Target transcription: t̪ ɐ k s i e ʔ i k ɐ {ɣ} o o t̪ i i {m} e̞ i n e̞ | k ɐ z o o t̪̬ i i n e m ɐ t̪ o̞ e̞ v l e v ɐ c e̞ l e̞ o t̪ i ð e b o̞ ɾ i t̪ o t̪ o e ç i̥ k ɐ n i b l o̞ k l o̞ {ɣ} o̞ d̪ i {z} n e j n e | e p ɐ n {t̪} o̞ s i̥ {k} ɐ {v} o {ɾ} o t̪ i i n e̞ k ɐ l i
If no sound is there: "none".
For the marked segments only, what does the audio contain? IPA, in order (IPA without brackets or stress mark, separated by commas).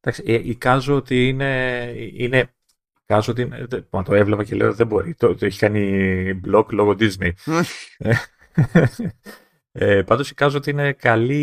z, n, ɣ, z, d̪, k, z, none